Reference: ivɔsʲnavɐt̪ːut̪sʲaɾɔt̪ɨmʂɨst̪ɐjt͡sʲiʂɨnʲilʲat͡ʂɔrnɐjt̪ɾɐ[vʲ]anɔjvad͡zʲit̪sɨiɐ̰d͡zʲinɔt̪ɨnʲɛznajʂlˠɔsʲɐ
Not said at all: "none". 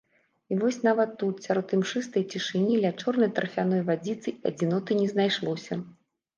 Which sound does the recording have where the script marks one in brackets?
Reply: fʲ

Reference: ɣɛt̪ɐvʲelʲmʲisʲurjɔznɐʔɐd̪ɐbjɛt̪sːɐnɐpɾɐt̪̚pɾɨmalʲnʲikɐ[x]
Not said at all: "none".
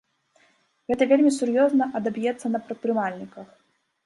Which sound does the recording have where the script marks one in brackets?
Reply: x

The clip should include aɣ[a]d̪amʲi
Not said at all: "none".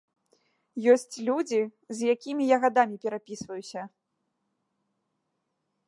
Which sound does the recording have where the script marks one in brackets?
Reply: a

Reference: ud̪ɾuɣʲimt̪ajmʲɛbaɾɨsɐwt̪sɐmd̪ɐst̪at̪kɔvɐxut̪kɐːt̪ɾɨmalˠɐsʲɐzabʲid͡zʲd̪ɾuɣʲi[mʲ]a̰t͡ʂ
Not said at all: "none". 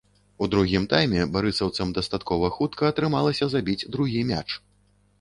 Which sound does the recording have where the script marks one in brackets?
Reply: mʲ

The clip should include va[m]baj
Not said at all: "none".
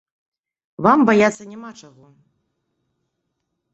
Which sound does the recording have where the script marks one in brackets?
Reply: m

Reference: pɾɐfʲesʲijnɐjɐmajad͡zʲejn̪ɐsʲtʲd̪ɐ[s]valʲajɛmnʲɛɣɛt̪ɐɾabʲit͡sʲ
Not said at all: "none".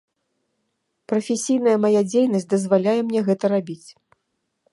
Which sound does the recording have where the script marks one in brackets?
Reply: z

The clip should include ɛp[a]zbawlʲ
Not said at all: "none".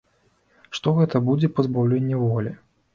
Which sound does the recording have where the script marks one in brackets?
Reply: ɐ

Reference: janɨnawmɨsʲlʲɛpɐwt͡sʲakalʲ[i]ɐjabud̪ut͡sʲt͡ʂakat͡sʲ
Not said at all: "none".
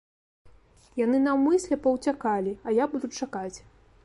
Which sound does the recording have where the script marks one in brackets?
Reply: i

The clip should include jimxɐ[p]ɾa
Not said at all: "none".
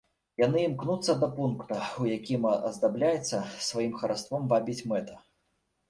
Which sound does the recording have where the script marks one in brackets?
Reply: none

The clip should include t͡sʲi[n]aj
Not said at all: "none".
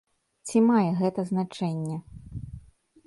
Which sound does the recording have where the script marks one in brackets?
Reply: m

